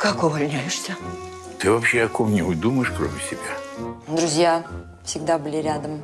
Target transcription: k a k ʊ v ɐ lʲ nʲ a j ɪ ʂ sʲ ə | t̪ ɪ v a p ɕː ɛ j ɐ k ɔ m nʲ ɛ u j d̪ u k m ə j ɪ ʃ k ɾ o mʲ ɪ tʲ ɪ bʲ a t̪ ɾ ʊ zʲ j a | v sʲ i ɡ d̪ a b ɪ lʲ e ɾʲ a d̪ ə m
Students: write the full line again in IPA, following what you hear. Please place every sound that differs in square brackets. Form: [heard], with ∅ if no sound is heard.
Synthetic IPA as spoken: k a k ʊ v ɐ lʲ nʲ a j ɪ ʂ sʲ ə | t̪ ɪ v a p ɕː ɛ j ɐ k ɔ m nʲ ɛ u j d̪ u [∅] m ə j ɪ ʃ k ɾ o mʲ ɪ [sʲ] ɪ bʲ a [d̪] ɾ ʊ zʲ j a | [f] sʲ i ɡ d̪ a b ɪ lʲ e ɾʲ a d̪ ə m